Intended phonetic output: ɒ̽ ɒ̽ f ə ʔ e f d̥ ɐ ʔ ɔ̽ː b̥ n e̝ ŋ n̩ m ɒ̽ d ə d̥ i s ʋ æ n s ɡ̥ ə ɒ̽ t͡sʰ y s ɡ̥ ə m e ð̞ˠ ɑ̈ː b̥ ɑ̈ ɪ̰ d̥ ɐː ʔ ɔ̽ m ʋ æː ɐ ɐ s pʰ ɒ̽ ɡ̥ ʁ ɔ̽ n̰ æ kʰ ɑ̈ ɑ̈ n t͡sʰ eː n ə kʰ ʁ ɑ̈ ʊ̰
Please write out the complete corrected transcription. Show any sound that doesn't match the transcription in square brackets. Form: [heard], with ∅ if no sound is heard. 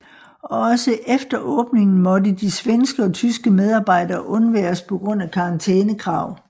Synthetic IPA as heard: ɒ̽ ɒ̽ [s] ə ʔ e f d̥ ɐ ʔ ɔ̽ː b̥ n e̝ ŋ n̩ m ɒ̽ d ə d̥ i s ʋ [e] n s ɡ̥ ə ɒ̽ t͡sʰ y s ɡ̥ ə m e ð̞ˠ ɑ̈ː b̥ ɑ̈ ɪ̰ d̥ ɐː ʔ ɔ̽ [n] ʋ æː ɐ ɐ s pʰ ɒ̽ ɡ̥ ʁ ɔ̽ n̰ æ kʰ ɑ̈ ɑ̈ n t͡sʰ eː n ə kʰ ʁ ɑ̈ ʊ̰